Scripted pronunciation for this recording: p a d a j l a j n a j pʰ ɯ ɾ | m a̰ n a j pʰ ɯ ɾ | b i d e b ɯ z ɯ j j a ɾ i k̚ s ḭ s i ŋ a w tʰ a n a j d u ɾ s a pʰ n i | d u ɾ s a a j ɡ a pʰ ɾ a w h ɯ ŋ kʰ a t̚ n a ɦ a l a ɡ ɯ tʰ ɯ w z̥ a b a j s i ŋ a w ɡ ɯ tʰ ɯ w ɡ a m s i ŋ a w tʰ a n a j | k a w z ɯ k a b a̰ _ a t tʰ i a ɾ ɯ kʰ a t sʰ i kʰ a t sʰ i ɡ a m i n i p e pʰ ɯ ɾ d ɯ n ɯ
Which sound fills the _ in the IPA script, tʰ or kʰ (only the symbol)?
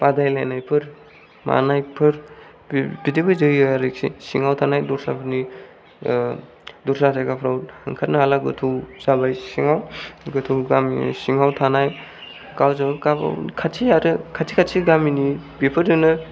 kʰ